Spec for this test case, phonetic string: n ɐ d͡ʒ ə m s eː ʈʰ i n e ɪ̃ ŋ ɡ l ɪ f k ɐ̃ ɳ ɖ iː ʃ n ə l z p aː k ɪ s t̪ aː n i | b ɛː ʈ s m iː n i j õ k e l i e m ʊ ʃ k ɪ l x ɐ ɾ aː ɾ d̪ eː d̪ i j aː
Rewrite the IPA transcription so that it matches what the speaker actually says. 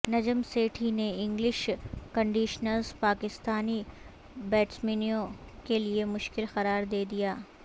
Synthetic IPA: n ɐ d͡ʒ ə m s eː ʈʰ i n e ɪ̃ ŋ ɡ l ɪ ʃ k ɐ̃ ɳ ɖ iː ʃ n ə l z p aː k ɪ s t̪ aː n i | b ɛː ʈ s m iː n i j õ k e l i e m ʊ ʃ k ɪ l x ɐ ɾ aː ɾ d̪ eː d̪ i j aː